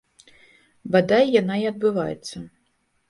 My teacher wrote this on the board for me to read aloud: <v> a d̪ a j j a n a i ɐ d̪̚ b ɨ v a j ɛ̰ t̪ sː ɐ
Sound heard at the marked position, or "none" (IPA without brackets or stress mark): b